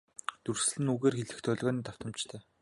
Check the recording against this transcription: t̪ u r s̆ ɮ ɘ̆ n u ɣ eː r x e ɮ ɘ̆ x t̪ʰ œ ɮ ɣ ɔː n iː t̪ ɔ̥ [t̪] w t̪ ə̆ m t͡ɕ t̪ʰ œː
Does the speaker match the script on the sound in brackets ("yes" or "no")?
no